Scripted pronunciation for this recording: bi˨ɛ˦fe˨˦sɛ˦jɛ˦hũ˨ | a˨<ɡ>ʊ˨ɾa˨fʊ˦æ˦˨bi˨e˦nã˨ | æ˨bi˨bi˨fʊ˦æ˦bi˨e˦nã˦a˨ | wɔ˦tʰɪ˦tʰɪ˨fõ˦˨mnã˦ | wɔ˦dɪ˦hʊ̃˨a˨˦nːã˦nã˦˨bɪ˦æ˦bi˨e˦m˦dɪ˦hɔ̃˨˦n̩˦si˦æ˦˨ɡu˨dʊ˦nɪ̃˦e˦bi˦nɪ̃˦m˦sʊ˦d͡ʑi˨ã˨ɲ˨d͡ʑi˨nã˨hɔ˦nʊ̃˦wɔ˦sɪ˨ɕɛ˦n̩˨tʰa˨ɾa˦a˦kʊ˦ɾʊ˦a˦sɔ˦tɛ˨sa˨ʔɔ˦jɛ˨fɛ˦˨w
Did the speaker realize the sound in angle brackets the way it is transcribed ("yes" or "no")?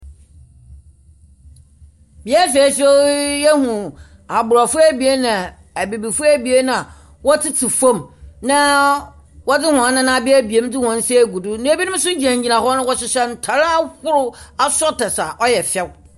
no